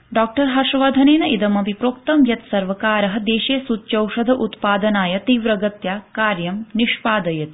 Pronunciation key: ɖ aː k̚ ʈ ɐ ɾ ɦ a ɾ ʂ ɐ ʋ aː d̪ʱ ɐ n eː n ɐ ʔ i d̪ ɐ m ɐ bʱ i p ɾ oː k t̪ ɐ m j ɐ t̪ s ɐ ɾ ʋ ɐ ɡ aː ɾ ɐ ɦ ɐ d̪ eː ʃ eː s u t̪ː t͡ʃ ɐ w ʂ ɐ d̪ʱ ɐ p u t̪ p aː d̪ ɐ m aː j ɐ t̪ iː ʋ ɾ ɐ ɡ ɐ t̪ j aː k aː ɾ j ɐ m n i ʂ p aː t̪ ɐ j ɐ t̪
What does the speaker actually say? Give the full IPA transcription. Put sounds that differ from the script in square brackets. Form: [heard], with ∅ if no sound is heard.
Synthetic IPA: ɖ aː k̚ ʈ ɐ ɾ ɦ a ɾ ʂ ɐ ʋ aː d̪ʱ ɐ n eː n ɐ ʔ i d̪ ɐ m ɐ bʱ i p ɾ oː k t̪ ɐ m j ɐ t̪ s ɐ ɾ ʋ ɐ [k] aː ɾ ɐ ɦ ɐ d̪ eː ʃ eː s u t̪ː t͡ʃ ɐ w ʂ ɐ d̪ʱ ɐ [ʔ] u t̪ p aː d̪ ɐ [n] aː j ɐ t̪ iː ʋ ɾ ɐ ɡ ɐ t̪ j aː k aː ɾ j ɐ m n i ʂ p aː [d̪] ɐ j ɐ t̪